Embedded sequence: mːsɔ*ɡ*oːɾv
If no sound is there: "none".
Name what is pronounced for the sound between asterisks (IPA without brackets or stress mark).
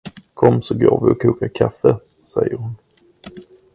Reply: ɡ